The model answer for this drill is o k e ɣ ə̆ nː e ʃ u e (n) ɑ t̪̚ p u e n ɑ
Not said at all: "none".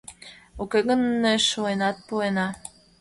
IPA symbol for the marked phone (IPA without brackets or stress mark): n